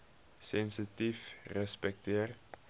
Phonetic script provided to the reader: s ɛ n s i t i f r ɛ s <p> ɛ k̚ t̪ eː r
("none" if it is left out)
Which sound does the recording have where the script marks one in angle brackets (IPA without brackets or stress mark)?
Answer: p